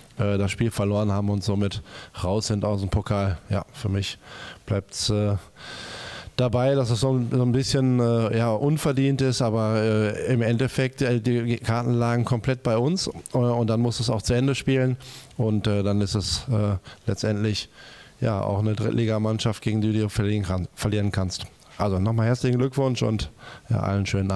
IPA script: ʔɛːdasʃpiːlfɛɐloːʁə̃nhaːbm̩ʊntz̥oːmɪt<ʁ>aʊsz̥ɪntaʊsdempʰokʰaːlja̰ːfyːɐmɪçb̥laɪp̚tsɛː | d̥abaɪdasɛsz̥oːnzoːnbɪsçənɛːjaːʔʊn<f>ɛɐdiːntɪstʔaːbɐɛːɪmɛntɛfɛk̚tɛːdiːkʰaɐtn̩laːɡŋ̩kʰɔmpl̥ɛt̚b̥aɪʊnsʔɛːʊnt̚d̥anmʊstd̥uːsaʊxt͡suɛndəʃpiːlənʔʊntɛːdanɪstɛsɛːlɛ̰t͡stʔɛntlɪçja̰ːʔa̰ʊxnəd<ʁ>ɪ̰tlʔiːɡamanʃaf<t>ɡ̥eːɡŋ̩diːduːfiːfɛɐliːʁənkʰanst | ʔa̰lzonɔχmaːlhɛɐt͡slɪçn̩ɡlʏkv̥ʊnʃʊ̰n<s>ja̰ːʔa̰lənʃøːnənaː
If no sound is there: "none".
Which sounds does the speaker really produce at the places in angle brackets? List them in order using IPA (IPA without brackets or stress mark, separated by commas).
ʁ, f, ʁ, t, t